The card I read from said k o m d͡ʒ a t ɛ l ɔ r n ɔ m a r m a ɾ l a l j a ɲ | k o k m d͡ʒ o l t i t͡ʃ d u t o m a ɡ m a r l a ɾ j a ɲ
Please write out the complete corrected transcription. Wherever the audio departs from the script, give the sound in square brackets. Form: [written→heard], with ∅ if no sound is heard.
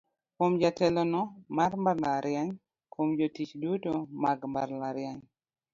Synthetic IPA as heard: k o m d͡ʒ a t ɛ l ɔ [r→∅] n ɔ m a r m a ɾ l a [l→ɾ] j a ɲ | k o [k→∅] m d͡ʒ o [l→∅] t i t͡ʃ d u t o m a ɡ m a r l a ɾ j a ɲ